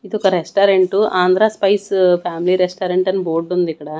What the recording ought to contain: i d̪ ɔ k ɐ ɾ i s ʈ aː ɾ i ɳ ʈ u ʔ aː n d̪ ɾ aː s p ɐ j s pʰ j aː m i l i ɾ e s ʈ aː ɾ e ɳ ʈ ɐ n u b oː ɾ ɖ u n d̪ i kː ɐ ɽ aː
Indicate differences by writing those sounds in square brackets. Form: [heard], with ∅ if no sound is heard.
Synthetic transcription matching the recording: i d̪ ɔ k ɐ ɾ [e] s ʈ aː ɾ [e] ɳ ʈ u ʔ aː n d̪ ɾ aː s p ɐ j s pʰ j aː m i l i ɾ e s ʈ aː ɾ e ɳ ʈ ɐ n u b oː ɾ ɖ u n d̪ i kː ɐ ɽ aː